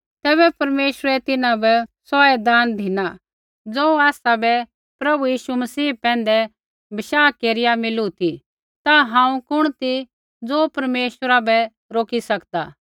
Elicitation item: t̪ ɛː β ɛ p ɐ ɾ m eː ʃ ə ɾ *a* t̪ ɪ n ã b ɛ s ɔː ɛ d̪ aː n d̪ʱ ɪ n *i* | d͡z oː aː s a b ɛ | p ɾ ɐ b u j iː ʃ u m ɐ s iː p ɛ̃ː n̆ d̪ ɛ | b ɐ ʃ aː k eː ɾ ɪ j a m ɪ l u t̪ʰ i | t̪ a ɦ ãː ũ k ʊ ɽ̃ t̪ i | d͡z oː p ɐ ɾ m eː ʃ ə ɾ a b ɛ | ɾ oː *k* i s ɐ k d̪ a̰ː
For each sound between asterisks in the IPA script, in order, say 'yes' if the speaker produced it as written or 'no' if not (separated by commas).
no, no, yes